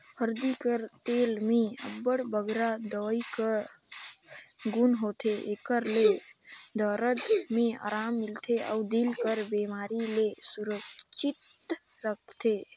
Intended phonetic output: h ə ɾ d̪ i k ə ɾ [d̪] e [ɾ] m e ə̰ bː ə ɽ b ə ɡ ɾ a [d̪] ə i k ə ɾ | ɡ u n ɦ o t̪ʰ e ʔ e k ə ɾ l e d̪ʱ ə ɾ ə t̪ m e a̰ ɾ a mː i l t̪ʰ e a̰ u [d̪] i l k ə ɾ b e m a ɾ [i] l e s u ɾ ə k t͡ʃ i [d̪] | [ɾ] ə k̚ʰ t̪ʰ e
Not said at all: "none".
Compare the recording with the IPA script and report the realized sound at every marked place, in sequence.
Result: t̪, l, d̪, d̪, i, t̪, ɾ

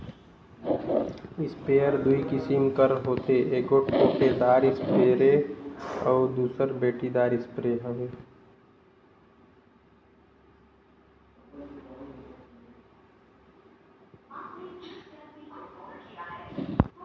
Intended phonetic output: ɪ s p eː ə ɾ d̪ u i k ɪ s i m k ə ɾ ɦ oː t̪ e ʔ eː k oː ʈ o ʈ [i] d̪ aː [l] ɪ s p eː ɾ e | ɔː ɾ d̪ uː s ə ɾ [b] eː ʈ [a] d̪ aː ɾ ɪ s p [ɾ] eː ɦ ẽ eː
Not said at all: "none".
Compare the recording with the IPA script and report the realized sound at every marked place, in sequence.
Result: e, ɾ, b, i, ɾ

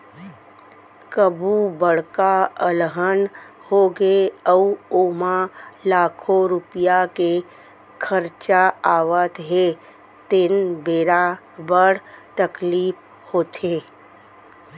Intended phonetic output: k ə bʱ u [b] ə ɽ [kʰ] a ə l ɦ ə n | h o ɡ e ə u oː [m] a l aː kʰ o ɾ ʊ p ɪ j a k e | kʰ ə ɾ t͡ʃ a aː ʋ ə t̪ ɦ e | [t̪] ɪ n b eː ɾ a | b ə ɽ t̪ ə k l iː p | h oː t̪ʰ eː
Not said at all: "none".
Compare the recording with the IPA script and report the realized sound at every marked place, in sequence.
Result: b, k, m, t̪

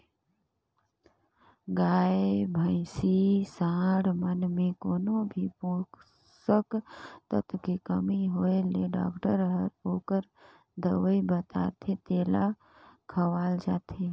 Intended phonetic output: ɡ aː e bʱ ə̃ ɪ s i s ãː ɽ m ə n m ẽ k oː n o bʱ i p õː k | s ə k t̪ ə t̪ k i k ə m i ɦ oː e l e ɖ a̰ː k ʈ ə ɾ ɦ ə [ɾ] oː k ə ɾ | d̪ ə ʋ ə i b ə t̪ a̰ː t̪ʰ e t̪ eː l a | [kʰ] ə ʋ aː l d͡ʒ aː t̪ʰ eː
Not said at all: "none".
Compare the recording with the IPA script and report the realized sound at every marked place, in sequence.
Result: ɾ, kʰ

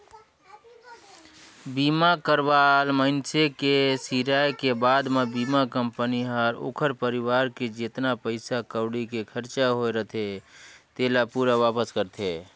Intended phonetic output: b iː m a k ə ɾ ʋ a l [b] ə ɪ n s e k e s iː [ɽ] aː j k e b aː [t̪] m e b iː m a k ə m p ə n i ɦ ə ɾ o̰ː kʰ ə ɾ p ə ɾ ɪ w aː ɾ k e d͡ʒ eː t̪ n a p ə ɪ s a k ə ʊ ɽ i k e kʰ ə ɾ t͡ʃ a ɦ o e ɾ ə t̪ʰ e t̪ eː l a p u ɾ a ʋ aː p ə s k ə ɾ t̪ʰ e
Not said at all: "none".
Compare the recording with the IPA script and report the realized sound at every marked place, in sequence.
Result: m, ɾ, d̪

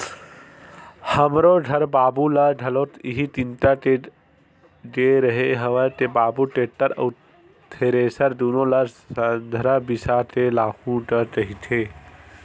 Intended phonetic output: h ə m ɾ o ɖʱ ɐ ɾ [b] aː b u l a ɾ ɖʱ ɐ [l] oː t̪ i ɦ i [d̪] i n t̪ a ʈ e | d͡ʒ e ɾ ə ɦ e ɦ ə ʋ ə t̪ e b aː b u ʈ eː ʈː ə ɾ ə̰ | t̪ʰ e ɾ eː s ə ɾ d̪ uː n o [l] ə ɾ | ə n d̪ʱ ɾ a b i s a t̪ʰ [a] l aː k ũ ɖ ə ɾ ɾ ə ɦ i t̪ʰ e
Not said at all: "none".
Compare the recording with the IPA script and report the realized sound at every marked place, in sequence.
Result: b, l, t̪, l, e

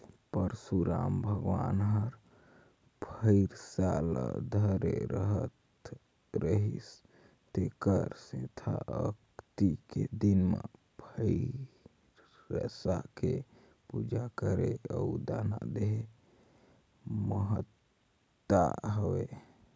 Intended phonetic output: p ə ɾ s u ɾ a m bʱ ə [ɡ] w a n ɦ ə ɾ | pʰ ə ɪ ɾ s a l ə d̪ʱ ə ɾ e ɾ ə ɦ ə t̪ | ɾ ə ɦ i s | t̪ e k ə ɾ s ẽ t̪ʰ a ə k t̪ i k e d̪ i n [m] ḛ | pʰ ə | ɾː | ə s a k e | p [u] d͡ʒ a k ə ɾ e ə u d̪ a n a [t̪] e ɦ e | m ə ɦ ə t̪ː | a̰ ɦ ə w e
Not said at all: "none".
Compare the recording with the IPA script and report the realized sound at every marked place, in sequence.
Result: ɡ, m, u, d̪

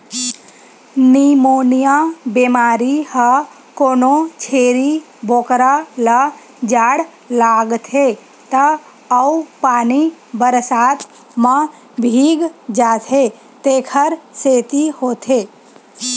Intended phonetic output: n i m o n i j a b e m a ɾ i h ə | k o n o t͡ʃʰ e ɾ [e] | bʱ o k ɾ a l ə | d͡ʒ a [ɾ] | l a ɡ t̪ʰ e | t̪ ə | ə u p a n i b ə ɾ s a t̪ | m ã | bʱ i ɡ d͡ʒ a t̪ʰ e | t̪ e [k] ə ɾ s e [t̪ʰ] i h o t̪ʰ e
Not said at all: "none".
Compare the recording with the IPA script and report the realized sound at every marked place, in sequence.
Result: i, ɽ, kʰ, t̪

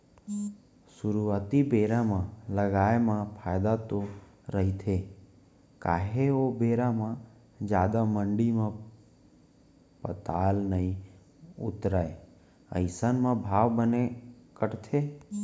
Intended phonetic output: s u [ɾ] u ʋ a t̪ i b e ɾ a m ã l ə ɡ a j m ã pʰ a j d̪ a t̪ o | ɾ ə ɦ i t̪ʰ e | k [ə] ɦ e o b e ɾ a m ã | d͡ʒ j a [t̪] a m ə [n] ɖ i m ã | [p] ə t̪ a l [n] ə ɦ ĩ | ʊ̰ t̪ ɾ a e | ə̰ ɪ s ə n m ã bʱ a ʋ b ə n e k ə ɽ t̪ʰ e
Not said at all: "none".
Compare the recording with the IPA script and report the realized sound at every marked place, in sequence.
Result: ɾ, a, d̪, ɳ, p, n

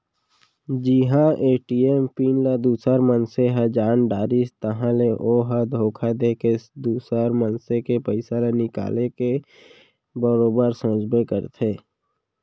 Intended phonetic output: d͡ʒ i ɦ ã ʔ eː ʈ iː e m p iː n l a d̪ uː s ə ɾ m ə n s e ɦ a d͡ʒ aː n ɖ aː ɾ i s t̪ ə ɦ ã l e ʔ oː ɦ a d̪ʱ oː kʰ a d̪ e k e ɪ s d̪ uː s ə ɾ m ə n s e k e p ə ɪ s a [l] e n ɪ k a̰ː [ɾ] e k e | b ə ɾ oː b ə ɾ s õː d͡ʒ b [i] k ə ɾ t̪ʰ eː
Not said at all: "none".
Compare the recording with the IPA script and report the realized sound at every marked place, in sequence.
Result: l, l, e

